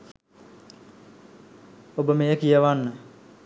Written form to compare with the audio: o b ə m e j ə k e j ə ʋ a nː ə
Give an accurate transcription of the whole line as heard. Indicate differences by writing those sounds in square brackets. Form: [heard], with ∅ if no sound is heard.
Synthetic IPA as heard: o b ə m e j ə k [i] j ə ʋ a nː ə